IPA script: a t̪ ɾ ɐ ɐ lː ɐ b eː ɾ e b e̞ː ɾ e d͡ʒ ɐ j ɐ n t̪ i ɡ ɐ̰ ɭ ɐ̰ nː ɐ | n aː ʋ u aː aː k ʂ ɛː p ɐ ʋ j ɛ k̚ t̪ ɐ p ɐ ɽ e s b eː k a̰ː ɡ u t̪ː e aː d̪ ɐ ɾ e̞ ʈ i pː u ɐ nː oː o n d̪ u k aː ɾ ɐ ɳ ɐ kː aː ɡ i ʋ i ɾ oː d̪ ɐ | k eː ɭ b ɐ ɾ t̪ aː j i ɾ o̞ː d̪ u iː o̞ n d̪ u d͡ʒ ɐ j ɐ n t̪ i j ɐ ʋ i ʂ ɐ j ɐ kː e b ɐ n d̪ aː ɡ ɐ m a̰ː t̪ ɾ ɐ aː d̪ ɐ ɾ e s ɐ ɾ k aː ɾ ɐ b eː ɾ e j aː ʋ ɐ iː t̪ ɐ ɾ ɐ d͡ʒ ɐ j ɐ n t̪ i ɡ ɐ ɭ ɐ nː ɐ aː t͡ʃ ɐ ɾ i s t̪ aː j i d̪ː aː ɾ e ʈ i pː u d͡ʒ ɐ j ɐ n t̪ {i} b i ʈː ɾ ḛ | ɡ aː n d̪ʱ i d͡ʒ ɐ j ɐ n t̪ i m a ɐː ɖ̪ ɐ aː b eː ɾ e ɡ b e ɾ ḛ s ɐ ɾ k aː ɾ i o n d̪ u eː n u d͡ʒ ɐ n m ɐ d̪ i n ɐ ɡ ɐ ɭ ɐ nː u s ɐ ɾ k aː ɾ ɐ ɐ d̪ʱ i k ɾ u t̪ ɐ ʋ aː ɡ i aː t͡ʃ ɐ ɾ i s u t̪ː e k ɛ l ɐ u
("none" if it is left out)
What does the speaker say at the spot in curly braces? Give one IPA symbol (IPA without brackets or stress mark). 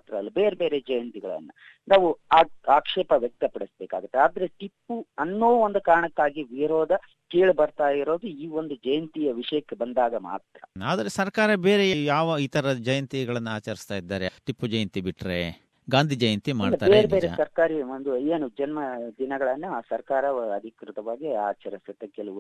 i